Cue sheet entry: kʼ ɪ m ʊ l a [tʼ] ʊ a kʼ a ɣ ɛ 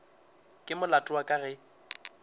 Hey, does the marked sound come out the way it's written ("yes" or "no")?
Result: yes